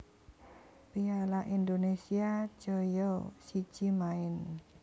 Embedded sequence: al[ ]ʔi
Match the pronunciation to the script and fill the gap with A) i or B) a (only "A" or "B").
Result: B